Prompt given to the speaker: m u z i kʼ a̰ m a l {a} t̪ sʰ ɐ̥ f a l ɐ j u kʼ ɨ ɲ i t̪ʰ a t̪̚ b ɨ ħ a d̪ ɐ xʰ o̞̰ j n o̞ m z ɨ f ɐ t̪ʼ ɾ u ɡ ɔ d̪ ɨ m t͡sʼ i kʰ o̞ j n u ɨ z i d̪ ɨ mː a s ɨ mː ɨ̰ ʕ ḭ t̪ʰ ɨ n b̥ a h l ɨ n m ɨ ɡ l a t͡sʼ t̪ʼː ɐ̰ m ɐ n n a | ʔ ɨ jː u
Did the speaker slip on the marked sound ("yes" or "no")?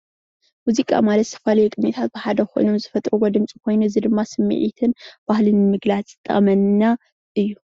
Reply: yes